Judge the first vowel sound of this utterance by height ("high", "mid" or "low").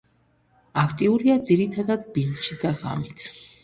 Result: low